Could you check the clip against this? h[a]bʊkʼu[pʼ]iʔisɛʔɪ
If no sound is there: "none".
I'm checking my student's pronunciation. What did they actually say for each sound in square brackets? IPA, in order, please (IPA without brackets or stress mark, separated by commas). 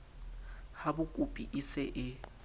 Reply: a, pʼ